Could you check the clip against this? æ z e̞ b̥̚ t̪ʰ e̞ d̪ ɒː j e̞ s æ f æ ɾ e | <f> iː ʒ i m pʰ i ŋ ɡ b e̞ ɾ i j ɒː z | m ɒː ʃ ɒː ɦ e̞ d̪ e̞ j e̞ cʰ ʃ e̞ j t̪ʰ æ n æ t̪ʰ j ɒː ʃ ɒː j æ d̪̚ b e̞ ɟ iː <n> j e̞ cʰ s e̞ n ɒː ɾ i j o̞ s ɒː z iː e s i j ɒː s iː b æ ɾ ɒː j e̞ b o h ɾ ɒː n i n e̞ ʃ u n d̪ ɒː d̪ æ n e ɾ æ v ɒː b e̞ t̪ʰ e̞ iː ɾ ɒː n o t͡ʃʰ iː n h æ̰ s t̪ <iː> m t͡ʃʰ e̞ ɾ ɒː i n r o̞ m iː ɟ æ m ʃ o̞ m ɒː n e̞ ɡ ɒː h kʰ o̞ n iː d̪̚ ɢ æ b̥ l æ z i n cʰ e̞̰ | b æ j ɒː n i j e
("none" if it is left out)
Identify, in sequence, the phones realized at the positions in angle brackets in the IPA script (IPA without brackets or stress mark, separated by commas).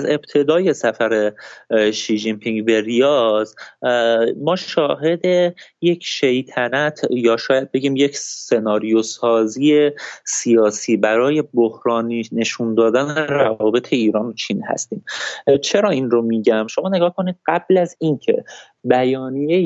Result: ʃ, m, iː